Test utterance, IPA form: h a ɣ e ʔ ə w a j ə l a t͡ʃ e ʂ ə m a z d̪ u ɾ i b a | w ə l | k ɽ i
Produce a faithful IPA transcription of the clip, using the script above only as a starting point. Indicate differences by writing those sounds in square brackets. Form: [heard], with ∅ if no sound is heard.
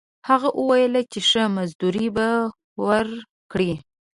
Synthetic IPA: h a ɣ [a] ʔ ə w a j ə l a t͡ʃ e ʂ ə m a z d̪ u ɾ i b a | w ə [ɾ] | k ɽ i